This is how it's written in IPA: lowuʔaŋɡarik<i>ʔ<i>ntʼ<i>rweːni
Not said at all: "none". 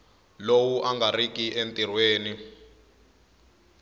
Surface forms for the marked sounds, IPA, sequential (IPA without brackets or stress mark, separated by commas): i, e, i